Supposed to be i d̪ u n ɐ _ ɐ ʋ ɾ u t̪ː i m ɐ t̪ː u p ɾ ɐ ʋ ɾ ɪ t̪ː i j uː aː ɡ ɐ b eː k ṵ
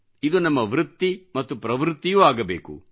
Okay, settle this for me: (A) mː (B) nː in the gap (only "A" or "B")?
A